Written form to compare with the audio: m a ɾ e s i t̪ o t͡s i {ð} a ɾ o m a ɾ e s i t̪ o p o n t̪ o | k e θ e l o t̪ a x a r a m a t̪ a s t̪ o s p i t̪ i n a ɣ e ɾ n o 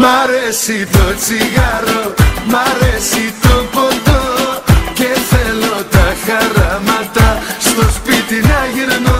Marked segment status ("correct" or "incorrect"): incorrect